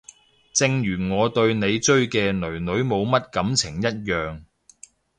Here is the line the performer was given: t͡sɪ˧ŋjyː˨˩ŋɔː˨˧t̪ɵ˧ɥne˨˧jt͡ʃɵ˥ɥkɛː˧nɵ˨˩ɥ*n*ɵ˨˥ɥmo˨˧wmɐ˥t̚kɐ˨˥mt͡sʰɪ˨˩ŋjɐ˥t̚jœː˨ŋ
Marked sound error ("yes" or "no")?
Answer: no